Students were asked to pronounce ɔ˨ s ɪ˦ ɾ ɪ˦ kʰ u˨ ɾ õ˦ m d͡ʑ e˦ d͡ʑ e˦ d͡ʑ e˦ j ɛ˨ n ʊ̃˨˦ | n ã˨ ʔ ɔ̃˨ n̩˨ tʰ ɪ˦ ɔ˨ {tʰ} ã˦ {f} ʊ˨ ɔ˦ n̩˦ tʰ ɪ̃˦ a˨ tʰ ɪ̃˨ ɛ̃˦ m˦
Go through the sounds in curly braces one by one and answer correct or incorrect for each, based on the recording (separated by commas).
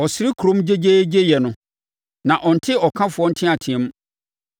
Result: incorrect, correct